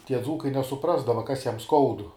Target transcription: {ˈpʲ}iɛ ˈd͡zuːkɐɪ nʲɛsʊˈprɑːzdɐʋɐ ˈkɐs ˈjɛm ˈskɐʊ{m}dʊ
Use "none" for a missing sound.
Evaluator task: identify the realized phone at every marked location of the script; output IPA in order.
tʲ, none

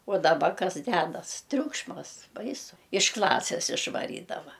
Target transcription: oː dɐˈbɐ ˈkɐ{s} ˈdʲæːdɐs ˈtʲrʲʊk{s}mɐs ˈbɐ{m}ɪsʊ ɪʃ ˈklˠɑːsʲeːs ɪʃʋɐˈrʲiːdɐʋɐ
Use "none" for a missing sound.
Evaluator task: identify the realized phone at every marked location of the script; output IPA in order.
s, ʃ, none

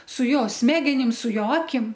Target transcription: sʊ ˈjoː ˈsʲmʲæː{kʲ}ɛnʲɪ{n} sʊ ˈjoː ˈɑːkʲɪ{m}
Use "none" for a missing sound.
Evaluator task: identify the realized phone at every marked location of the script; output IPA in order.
ɡʲ, m, m

